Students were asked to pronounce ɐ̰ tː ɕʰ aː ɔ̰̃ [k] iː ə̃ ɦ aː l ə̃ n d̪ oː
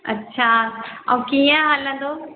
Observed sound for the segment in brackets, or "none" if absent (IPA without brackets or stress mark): k